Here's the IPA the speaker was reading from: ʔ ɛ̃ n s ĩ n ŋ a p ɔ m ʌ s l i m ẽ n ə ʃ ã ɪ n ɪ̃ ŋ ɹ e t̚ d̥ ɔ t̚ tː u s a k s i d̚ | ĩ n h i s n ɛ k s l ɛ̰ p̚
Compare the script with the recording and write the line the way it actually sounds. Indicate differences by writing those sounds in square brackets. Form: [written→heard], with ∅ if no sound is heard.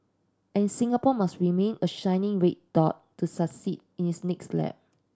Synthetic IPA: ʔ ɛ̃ n s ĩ [n→∅] ŋ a p ɔ m [ʌ→a] s [l→ɹ] i m ẽ n ə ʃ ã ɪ n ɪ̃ ŋ ɹ e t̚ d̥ ɔ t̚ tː u s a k s i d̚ | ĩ n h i s n ɛ k s l ɛ̰ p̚